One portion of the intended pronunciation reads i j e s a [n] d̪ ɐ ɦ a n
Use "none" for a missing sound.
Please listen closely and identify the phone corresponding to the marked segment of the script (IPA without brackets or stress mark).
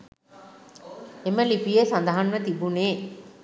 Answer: n